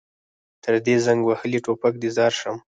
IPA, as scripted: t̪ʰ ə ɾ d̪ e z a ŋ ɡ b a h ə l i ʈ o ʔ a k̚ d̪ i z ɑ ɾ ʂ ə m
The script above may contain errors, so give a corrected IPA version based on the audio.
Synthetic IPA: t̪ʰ ə ɾ d̪ e z a ŋ ɡ w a h ə l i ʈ o p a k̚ d̪ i z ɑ ɾ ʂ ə m